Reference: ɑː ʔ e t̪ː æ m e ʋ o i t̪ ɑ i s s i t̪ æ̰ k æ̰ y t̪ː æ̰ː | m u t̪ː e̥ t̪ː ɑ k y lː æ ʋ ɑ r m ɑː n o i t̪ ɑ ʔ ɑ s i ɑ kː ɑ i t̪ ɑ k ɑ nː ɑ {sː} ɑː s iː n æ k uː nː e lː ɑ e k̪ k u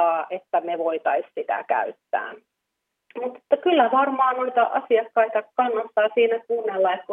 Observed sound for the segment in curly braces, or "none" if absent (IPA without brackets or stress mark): sː